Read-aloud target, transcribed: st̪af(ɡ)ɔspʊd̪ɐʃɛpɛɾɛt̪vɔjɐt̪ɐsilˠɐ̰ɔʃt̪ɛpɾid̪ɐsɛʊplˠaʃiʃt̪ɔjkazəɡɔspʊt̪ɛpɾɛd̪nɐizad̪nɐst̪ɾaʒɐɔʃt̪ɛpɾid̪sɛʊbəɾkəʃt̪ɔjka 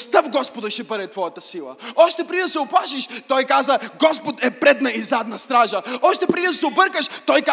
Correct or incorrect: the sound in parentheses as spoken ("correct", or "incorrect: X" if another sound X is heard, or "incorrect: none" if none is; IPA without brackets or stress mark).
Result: correct